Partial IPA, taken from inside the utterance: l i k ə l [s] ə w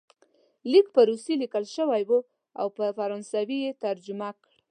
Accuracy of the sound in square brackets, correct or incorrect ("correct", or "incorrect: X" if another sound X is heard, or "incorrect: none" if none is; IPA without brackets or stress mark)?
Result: incorrect: ʃ